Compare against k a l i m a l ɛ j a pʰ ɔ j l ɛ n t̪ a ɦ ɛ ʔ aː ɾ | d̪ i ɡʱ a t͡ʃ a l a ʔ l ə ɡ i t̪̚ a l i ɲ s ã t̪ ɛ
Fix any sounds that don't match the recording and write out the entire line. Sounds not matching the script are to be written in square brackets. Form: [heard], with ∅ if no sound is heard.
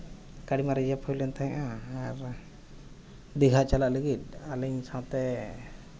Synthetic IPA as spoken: k a [ɽ] i m a [ɾ] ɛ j a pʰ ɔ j l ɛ n t̪ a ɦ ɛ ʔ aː ɾ | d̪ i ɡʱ a t͡ʃ a l a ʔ l ə ɡ i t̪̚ a l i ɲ s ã t̪ ɛ

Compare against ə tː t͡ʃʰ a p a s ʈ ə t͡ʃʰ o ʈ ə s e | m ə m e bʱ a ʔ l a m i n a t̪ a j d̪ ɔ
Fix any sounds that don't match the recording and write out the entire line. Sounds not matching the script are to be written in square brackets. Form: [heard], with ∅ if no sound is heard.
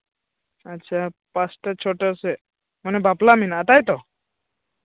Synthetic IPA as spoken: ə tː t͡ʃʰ a p a s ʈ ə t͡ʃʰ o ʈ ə s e | m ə [n] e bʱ a [p] l a m i n a t̪ a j [t̪] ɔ

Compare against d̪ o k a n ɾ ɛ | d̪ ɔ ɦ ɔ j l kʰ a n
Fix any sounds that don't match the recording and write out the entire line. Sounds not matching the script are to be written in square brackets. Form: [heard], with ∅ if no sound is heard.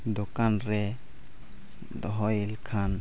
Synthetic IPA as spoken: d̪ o k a n ɾ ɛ | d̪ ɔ ɦ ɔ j l kʰ a n

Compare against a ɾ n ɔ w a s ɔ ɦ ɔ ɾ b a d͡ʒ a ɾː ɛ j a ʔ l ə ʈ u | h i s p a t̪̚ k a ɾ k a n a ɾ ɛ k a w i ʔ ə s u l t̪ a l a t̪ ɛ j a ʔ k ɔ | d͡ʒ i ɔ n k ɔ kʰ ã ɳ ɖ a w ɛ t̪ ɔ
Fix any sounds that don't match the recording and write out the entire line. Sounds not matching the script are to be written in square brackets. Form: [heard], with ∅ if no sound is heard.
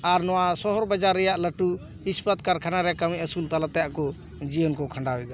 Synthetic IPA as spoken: a ɾ n ɔ w a s ɔ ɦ ɔ ɾ b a d͡ʒ a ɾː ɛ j a ʔ l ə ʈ u | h i s p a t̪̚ k a ɾ [kʰ] a n a ɾ ɛ k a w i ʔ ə s u l t̪ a l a t̪ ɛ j a ʔ k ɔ | d͡ʒ i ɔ n k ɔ kʰ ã ɳ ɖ a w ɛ [d̪] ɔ

